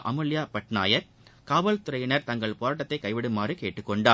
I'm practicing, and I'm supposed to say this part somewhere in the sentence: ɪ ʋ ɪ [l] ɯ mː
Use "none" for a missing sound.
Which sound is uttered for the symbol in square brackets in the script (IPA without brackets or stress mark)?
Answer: ɽ